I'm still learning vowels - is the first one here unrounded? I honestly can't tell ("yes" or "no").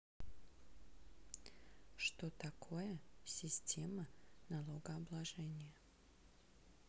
no